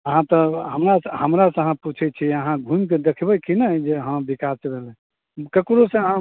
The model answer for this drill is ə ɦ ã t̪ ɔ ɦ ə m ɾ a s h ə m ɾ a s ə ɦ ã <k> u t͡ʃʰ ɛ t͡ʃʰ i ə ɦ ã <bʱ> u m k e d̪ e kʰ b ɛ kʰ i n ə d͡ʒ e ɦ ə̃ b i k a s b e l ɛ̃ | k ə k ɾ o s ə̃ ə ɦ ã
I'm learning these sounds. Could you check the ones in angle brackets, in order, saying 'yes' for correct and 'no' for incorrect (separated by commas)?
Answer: no, no